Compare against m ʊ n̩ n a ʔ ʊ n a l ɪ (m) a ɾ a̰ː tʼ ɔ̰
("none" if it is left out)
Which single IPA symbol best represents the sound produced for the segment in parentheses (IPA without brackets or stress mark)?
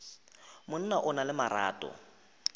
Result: m